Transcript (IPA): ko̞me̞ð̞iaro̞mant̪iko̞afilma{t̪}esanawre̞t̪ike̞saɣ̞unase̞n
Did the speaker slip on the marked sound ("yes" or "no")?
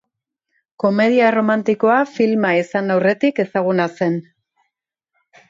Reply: yes